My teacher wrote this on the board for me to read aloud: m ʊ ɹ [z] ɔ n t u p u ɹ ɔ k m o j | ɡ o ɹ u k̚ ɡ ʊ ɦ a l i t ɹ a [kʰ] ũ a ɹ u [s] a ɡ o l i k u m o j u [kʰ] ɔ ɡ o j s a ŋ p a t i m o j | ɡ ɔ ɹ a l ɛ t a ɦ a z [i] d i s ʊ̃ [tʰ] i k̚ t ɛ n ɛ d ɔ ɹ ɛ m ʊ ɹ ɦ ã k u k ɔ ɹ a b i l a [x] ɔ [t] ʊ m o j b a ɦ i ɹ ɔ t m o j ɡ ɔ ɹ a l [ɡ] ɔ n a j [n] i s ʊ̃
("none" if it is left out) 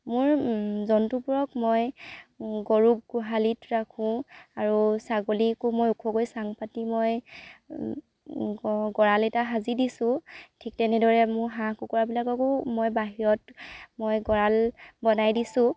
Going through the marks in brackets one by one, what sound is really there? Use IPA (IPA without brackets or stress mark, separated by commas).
z, kʰ, s, kʰ, i, tʰ, k, k, b, d